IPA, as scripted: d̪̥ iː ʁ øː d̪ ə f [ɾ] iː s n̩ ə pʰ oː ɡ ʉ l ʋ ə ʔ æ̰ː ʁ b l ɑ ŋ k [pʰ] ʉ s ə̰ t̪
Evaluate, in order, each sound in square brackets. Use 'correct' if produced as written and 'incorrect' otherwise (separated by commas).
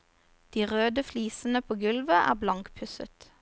incorrect, correct